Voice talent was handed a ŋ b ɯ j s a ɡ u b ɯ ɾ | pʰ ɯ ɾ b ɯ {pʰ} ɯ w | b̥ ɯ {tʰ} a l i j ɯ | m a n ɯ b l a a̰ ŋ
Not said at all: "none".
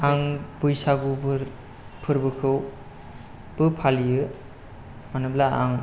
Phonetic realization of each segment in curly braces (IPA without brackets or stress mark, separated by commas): kʰ, pʰ